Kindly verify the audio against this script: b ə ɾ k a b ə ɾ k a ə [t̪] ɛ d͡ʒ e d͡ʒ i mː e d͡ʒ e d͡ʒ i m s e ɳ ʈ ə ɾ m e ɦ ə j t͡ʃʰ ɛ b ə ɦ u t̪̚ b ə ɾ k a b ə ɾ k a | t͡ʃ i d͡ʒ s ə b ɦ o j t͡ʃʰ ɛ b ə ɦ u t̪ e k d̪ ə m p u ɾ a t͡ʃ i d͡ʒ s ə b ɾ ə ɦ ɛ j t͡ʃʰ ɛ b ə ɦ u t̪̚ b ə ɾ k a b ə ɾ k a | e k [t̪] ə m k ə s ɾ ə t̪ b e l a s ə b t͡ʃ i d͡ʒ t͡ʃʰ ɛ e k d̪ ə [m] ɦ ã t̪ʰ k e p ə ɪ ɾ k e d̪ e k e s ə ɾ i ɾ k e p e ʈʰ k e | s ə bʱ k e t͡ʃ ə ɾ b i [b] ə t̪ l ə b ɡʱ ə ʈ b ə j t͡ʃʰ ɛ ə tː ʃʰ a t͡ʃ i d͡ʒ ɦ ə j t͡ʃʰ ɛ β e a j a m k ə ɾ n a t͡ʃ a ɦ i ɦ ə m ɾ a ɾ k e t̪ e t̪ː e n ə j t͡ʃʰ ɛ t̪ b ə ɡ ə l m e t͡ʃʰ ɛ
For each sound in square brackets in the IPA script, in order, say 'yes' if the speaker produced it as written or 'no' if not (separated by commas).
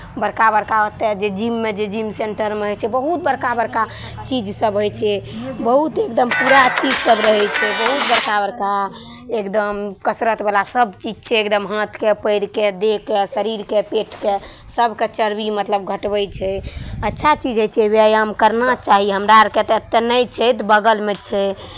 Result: yes, no, yes, no